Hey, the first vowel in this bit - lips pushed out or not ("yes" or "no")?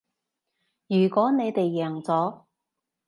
yes